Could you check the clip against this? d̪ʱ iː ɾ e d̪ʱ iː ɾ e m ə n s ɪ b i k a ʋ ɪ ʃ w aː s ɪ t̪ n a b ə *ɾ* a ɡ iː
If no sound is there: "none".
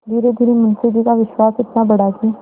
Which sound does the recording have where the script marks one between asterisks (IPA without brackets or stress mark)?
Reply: ɽ